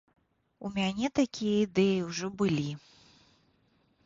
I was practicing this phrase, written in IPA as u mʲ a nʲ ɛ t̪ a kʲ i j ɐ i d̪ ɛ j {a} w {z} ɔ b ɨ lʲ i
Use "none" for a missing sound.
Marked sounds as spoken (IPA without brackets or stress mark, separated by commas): i, ʐ